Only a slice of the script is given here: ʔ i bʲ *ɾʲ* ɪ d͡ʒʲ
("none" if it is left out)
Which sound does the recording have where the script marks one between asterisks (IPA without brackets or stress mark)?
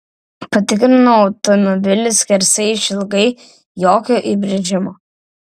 ɾʲ